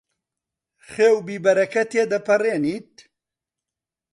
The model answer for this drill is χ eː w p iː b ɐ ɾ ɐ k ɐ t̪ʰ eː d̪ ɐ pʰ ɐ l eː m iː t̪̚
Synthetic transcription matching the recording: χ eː w b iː b ɐ ɾ ɐ k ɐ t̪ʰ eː d̪ ɐ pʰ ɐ r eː n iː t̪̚